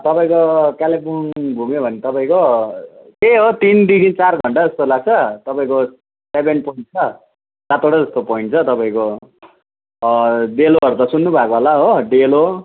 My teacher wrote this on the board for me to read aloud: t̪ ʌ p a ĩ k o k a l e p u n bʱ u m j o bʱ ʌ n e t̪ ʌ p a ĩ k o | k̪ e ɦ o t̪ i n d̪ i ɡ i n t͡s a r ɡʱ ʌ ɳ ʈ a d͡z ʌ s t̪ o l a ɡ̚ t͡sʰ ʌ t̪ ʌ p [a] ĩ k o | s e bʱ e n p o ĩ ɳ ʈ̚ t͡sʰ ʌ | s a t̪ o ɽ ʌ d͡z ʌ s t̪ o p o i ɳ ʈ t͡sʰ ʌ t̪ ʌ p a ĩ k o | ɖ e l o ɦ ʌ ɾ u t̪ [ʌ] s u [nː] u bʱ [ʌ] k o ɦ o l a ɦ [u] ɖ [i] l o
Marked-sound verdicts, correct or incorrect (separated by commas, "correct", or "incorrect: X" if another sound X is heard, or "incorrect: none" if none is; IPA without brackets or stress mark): correct, correct, correct, incorrect: a, incorrect: o, incorrect: e